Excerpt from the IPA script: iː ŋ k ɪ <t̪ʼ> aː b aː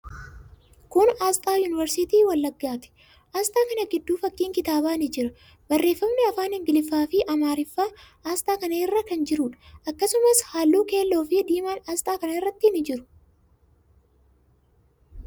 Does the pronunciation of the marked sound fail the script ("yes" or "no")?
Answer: yes